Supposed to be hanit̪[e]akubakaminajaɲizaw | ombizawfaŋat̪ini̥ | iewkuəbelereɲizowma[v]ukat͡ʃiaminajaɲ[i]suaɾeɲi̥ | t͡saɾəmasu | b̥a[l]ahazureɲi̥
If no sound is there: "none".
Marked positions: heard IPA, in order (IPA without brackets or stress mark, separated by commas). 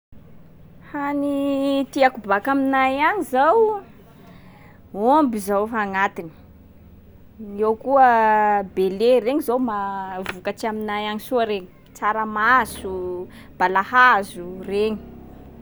i, v, i, l